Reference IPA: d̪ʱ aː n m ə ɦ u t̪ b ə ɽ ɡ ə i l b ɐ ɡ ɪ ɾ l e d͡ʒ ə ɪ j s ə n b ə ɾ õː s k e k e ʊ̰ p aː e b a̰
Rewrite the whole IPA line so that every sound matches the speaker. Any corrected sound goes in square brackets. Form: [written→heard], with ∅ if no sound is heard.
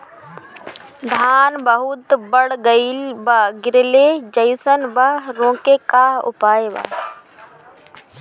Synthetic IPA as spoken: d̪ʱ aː n [m→b] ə ɦ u t̪ b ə ɽ ɡ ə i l b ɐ ɡ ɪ ɾ l e d͡ʒ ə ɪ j s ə n b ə ɾ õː [s→∅] k e k [e→a] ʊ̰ p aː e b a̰